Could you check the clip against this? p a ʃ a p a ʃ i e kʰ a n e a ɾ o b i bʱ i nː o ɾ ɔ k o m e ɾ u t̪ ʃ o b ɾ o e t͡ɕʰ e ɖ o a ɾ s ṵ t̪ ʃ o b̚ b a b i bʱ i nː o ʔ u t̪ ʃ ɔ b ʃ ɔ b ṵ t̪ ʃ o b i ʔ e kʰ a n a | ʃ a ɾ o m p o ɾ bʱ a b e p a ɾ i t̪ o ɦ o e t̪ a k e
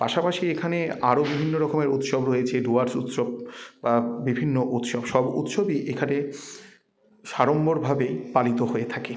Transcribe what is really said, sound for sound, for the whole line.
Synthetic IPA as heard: p a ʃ a p a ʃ i e kʰ a n e a ɾ o b i bʱ i nː o ɾ ɔ k o m e ɾ u t̪ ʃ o b ɾ o e t͡ɕʰ e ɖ u a ɾ s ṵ t̪ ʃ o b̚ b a b i bʱ i nː o ʔ u t̪ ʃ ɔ b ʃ ɔ b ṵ t̪ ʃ o b i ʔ e kʰ a n e | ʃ a ɾ o m b o ɾ bʱ a b e p a l i t̪ o ɦ o e t̪ʰ a k e